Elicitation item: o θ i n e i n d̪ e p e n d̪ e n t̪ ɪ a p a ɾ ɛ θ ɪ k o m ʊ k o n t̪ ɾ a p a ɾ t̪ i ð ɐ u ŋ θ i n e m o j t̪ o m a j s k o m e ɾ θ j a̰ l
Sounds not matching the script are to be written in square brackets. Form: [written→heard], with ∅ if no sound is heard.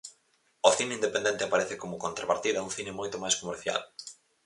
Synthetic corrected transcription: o θ i n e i n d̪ e p e n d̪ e n t̪ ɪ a p a ɾ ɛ θ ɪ k o m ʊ k o n t̪ ɾ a p a ɾ t̪ i ð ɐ u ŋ θ i n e m o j t̪ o m a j s k o m e ɾ θ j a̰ l